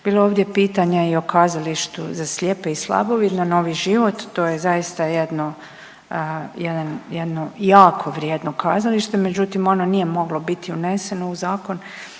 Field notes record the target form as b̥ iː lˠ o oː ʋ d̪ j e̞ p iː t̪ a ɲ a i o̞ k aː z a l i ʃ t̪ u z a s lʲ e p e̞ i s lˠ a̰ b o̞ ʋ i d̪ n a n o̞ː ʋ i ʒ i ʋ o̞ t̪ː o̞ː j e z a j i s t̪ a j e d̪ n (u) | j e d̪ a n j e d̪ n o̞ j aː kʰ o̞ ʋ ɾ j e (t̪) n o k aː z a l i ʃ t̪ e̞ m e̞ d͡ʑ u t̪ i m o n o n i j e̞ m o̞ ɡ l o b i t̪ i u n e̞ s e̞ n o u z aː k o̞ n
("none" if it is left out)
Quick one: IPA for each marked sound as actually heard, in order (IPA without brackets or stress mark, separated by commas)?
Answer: o, d̪